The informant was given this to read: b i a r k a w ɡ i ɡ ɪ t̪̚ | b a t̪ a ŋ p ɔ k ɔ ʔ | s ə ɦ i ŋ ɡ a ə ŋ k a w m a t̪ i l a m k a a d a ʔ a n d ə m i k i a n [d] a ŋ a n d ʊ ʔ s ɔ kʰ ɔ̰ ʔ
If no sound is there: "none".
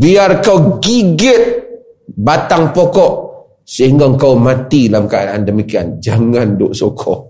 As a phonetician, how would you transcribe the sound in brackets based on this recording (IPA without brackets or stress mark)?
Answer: d͡ʒ